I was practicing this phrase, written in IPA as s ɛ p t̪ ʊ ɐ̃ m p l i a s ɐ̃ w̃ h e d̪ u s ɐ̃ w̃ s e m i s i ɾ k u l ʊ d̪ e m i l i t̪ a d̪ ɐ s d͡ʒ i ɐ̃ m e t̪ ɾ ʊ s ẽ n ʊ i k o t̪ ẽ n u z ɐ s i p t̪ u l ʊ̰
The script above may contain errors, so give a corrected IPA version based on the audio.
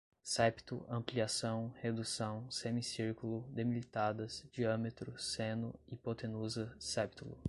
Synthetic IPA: s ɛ p t̪ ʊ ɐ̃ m p l i a s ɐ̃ w̃ h e d̪ u s ɐ̃ w̃ s e m i s i ɾ k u l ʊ d̪ e m i l i t̪ a d̪ ɐ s d͡ʒ i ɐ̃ m e t̪ ɾ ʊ s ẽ n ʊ i p o t̪ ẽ n u z ɐ s ɛ p t̪ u l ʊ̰